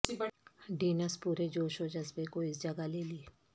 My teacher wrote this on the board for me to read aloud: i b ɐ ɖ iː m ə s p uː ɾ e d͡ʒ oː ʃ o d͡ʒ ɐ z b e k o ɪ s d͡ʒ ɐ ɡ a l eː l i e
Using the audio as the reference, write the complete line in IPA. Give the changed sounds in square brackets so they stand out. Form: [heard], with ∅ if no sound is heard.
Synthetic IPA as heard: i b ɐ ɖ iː [n] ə s p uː ɾ e d͡ʒ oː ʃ o d͡ʒ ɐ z b e k o ɪ s d͡ʒ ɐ ɡ a l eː l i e